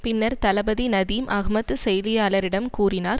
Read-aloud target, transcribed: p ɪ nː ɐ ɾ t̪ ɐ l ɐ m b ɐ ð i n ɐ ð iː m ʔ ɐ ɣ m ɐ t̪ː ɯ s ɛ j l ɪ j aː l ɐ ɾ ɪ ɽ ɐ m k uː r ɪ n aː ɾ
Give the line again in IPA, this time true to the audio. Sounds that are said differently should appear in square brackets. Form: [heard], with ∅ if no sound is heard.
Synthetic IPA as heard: p ɪ nː ɐ ɾ t̪ ɐ l ɐ [∅] b ɐ ð i n ɐ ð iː m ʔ ɐ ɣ m ɐ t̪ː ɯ s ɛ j l ɪ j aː l ɐ ɾ ɪ ɽ ɐ m k uː r ɪ n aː ɾ

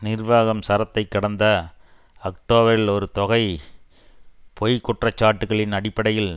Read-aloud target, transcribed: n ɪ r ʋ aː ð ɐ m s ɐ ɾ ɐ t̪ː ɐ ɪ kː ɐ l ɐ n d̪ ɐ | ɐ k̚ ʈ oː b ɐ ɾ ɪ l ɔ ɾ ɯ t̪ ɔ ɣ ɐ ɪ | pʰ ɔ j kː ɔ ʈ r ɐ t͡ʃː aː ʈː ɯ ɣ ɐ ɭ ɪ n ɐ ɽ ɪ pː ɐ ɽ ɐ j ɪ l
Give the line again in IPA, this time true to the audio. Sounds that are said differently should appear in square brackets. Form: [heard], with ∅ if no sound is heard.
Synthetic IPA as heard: n ɪ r ʋ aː [ɣ] ɐ m s ɐ ɾ ɐ t̪ː ɐ ɪ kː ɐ [ɽ] ɐ n d̪ ɐ | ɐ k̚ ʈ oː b ɐ ɾ ɪ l ɔ ɾ ɯ t̪ ɔ ɣ ɐ ɪ | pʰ ɔ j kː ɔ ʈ r ɐ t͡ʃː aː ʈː ɯ ɣ ɐ ɭ ɪ n ɐ ɽ ɪ pː ɐ ɽ ɐ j ɪ l

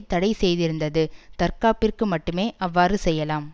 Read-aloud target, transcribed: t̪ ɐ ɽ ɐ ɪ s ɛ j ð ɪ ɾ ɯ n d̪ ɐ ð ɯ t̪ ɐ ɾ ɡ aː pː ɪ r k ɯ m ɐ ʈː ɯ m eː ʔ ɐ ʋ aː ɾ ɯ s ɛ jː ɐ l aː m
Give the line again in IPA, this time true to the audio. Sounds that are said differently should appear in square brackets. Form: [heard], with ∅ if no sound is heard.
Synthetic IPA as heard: t̪ ɐ ɽ ɐ ɪ s ɛ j ð ɪ ɾ ɯ n d̪ ɐ ð ɯ t̪ ɐ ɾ [k] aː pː ɪ r k ɯ m ɐ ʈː ɯ m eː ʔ ɐ [ʋː] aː ɾ ɯ s ɛ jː ɐ l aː m

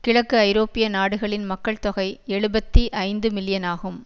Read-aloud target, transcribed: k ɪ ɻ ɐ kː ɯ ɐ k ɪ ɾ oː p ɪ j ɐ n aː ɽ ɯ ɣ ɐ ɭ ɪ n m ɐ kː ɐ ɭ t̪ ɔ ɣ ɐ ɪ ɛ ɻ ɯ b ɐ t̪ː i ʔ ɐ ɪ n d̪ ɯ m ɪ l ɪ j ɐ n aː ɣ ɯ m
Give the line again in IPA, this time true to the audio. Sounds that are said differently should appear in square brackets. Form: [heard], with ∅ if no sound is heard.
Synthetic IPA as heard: k ɪ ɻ ɐ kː ɯ ɐ [∅] ɪ ɾ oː p ɪ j ɐ n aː ɽ ɯ ɣ ɐ ɭ ɪ n m ɐ kː ɐ ɭ t̪ ɔ ɣ ɐ ɪ ɛ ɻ ɯ b ɐ t̪ː i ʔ ɐ ɪ n d̪ ɯ m ɪ l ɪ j ɐ n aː ɣ ɯ m

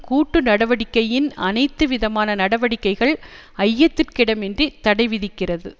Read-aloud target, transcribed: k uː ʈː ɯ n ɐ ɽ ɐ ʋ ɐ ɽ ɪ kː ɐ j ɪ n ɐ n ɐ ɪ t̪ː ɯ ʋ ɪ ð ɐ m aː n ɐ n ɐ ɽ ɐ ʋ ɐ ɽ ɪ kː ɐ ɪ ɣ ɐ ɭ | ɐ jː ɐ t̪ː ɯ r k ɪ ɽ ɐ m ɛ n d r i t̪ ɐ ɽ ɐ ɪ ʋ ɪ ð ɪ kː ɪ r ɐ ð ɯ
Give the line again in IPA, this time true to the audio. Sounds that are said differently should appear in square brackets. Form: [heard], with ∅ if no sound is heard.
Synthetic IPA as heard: k uː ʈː ɯ n ɐ ɽ ɐ ʋ ɐ ɽ ɪ kː ɐ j ɪ n ɐ n ɐ ɪ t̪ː ɯ ʋ ɪ ð ɐ m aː n ɐ n ɐ ɽ ɐ ʋ ɐ ɽ ɪ kː ɐ ɪ ɣ ɐ ɭ | ɐ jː ɐ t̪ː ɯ r k ɪ ɽ ɐ m ɛ n d r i t̪ ɐ ɽ ɐ ɪ ʋ ɪ ð ɪ kː ɪ r ɐ ð ɯ

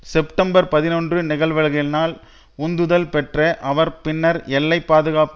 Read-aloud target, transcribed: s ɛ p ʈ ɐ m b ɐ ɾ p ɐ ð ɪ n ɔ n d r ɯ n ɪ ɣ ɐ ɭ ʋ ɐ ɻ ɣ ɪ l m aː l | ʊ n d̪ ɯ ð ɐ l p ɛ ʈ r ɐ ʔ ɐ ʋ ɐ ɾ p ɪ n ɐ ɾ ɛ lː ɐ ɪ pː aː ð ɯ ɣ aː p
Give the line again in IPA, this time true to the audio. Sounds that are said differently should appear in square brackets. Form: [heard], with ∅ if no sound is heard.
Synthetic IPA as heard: s ɛ p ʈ ɐ m b ɐ ɾ p ɐ ð ɪ n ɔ n d r ɯ n ɪ ɣ ɐ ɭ ʋ ɐ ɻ ɣ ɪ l [n] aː l | ʊ n d̪ ɯ ð ɐ l p ɛ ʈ r ɐ ʔ ɐ ʋ ɐ ɾ p ɪ [nː] ɐ ɾ ɛ lː ɐ ɪ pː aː ð ɯ ɣ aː p

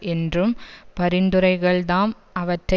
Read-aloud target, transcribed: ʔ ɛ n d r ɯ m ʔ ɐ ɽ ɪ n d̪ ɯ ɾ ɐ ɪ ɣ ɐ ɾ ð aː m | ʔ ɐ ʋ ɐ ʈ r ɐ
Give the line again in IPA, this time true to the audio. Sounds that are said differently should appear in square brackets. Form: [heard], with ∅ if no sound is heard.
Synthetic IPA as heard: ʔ ɛ n d r ɯ m [p] ɐ [ɾ] ɪ n d̪ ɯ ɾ ɐ ɪ ɣ ɐ [ɭ] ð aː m | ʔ ɐ ʋ ɐ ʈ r ɐ

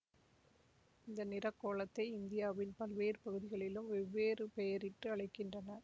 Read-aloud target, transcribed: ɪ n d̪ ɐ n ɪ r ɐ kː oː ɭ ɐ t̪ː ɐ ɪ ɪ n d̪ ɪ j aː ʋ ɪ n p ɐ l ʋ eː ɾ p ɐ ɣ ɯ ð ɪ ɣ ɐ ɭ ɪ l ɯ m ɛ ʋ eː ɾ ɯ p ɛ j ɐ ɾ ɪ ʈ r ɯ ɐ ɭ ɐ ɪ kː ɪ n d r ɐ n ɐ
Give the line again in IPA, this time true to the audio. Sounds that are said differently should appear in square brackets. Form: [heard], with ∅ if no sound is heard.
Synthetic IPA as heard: ɪ n d̪ ɐ n ɪ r ɐ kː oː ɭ ɐ t̪ː ɐ ɪ ɪ n d̪ ɪ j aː ʋ ɪ n p ɐ l ʋ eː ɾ p ɐ ɣ ɯ ð ɪ ɣ ɐ ɭ ɪ l ɯ m ɛ [ʋː] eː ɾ ɯ p ɛ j ɐ ɾ ɪ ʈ r ɯ ɐ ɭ ɐ ɪ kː ɪ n d r ɐ n ɐ

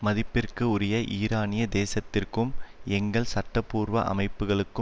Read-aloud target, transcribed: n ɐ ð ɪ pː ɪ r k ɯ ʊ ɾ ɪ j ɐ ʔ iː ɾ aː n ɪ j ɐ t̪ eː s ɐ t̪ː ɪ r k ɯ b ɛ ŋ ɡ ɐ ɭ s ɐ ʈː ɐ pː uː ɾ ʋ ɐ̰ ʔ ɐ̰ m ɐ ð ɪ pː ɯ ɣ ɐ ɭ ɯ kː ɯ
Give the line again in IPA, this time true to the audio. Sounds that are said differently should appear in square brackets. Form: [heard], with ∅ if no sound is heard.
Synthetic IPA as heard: [m] ɐ ð ɪ pː ɪ r k ɯ ʊ ɾ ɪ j ɐ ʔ iː ɾ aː n ɪ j ɐ [d̪] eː s ɐ t̪ː ɪ r k ɯ [m] ɛ ŋ ɡ ɐ ɭ s ɐ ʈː ɐ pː uː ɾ ʋ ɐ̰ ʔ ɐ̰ m ɐ [∅] ɪ pː ɯ ɣ ɐ ɭ ɯ kː ɯ

